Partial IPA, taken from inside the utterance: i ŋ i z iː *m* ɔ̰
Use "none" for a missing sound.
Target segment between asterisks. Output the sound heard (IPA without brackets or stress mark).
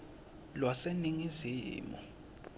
m